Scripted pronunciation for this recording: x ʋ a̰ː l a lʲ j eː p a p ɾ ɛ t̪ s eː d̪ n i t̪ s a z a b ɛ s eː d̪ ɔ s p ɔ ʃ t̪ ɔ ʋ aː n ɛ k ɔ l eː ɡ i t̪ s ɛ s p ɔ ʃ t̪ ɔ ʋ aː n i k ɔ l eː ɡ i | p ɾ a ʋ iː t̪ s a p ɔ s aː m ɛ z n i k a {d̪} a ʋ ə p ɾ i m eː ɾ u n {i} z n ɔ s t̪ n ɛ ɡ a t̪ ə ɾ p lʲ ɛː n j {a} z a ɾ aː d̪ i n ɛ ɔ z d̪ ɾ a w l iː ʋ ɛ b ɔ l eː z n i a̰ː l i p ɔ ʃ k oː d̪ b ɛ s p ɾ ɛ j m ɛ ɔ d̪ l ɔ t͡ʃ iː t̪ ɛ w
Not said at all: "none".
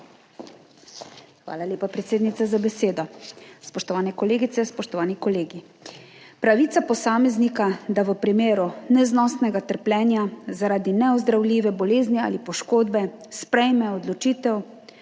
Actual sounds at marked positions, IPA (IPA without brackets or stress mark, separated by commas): d̪, ɛ, a